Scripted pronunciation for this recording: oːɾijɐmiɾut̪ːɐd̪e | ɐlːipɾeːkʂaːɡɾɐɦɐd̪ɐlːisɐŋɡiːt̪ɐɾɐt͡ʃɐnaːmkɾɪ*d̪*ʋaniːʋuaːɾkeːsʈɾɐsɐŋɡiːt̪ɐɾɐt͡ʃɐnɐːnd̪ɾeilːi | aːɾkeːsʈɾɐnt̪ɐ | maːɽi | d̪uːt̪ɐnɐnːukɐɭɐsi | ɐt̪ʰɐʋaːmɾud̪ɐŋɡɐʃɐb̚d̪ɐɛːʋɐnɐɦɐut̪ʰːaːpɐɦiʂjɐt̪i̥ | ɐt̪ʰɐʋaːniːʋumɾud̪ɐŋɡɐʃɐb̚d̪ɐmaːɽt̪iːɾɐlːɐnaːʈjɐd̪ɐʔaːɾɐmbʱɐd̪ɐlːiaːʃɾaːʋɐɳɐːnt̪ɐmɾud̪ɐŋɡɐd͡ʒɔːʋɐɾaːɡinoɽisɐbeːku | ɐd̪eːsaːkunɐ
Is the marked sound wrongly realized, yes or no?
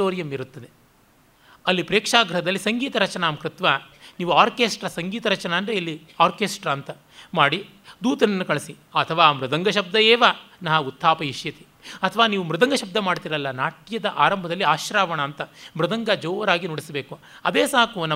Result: yes